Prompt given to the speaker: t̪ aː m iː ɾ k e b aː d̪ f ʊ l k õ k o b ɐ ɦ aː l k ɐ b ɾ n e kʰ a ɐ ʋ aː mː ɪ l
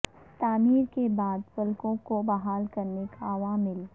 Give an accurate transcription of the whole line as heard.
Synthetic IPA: t̪ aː m iː ɾ k e b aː d̪ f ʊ l k õ k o b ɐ ɦ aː l k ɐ ɾ n e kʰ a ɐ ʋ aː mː ɪ l